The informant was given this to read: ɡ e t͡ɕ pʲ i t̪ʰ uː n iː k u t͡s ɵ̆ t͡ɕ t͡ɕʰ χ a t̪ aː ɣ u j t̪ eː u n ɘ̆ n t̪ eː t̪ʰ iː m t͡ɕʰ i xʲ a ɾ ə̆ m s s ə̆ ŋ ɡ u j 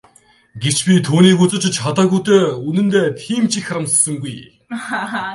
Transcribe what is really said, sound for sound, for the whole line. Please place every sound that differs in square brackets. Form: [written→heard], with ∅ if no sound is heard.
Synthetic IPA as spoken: ɡ e t͡ɕ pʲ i t̪ʰ uː n iː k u t͡s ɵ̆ t͡ɕ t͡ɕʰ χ a t̪ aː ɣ u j t̪ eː u n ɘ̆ n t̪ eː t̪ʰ iː m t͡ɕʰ i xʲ a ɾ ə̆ m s s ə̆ ŋ ɡ u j